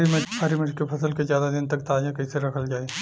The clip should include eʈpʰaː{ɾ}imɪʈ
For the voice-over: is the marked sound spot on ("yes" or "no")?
yes